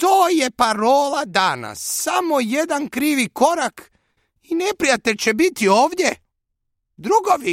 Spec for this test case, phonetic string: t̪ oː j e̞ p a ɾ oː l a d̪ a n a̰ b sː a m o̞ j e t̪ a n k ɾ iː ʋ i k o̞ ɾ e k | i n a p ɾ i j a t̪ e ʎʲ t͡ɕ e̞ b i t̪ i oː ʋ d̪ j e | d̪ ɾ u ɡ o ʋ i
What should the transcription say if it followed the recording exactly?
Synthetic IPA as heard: t̪ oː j e̞ p a ɾ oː l a d̪ a n a̰ sː a m o̞ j e d̪ a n k ɾ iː ʋ i k o̞ ɾ a k | i n e p ɾ i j a t̪ e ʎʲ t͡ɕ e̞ b i t̪ i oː ʋ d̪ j e | d̪ ɾ u ɡ o ʋ i